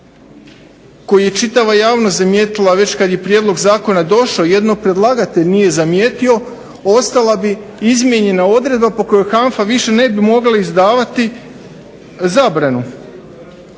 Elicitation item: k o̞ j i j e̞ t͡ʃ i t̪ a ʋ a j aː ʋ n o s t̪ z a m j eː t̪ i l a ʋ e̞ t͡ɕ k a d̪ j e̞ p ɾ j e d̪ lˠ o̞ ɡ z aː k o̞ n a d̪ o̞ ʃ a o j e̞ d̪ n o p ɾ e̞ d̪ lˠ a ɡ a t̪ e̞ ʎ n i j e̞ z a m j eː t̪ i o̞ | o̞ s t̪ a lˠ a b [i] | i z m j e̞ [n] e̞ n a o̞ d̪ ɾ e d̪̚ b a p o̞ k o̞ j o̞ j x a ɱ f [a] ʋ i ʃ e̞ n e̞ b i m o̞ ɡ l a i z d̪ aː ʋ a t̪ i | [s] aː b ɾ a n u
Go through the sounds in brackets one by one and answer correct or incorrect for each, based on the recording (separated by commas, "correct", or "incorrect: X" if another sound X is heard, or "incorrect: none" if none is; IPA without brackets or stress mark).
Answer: correct, incorrect: ɲ, correct, incorrect: z